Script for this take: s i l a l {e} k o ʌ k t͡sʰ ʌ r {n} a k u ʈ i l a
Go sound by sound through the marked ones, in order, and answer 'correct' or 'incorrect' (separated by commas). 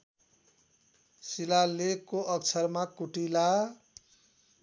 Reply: correct, incorrect